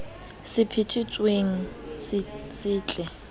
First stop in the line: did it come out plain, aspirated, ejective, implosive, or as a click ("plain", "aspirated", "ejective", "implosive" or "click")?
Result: aspirated